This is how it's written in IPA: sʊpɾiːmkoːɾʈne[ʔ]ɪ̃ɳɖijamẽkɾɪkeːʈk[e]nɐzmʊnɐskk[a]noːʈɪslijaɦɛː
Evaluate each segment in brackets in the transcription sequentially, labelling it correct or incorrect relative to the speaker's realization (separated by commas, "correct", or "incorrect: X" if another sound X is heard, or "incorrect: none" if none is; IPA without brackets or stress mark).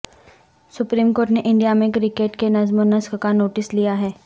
correct, correct, correct